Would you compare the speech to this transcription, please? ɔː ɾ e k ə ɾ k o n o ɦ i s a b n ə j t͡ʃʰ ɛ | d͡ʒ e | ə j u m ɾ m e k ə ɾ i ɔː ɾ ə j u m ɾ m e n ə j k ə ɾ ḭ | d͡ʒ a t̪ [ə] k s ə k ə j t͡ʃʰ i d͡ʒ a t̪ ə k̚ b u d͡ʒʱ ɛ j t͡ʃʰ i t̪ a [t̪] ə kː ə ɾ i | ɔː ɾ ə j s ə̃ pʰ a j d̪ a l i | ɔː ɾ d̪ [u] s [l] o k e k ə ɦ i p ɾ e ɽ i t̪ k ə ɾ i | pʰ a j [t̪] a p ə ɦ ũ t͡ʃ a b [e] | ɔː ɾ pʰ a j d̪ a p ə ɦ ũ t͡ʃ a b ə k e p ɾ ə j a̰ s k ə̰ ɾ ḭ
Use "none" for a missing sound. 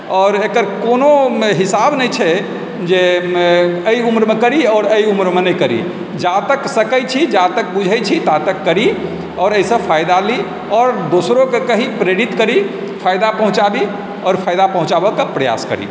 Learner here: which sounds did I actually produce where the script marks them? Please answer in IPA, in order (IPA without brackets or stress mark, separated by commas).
ə, t̪, o, ɾ, d̪, i